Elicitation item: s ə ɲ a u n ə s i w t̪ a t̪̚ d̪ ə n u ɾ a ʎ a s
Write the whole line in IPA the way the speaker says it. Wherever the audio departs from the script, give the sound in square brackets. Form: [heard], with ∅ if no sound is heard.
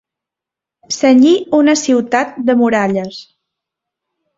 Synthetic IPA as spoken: s ə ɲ [i] u n ə s i w t̪ a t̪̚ d̪ ə [m] u ɾ a ʎ [ə] s